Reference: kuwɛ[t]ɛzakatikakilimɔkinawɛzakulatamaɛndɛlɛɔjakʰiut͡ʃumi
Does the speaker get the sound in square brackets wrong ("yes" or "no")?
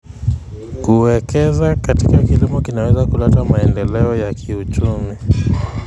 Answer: yes